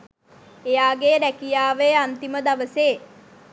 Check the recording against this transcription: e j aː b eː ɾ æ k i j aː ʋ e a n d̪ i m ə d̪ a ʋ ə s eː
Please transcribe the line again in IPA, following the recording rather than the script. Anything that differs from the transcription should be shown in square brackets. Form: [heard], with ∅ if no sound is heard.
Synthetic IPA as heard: e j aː [ɡ] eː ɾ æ k i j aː ʋ e a n [t̪] i m ə d̪ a ʋ ə s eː